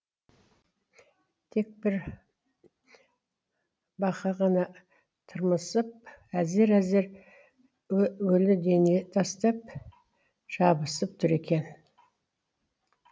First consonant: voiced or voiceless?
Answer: voiceless